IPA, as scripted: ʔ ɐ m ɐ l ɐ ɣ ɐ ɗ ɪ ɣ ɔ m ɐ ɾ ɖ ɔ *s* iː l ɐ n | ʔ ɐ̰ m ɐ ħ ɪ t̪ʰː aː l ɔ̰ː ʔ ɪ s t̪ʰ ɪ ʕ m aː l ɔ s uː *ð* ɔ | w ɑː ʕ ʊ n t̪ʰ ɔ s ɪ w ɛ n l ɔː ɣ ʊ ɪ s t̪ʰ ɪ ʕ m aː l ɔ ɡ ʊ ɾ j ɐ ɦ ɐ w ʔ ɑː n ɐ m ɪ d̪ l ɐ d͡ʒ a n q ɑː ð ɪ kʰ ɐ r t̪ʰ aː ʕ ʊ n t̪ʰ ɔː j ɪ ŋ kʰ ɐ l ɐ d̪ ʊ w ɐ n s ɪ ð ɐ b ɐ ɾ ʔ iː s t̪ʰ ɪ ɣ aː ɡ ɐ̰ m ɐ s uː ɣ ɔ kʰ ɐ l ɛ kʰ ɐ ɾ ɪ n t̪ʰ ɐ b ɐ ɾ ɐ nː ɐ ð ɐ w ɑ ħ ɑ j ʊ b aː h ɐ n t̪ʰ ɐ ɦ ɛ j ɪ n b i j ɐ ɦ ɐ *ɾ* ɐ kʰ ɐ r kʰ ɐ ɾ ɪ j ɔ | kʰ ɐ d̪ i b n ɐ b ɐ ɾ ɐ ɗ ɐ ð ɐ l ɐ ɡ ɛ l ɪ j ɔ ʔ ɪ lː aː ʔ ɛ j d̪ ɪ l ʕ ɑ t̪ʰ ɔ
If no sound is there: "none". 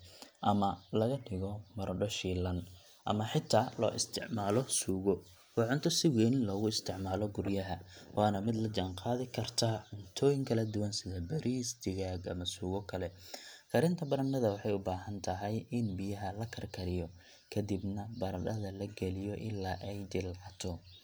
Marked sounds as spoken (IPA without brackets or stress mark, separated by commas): ʃ, ɣ, l